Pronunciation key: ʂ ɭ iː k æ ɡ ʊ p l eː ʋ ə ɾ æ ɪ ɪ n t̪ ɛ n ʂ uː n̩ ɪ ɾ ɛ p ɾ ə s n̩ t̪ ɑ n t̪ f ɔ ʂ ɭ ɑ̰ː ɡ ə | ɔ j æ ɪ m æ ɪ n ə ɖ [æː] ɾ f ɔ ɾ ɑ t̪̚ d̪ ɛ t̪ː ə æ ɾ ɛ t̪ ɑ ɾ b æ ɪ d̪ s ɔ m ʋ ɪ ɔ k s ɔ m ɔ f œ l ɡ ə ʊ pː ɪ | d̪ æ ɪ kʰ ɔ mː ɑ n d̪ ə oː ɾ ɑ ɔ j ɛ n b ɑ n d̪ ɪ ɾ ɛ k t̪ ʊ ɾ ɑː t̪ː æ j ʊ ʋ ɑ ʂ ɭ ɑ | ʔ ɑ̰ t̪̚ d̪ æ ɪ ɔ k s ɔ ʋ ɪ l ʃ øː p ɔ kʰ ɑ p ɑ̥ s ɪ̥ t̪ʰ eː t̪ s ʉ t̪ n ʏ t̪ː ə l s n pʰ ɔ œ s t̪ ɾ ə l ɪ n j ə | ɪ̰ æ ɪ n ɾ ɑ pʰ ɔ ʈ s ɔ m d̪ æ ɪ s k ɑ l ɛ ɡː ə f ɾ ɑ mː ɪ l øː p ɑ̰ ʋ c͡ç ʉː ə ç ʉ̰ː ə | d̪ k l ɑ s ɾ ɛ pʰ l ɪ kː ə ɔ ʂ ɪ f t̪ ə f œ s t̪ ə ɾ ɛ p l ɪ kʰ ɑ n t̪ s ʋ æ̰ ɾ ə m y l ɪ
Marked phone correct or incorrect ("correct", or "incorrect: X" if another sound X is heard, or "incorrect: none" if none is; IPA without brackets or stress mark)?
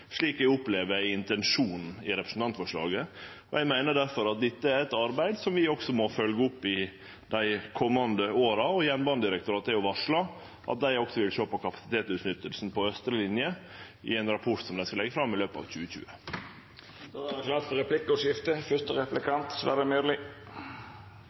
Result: incorrect: æ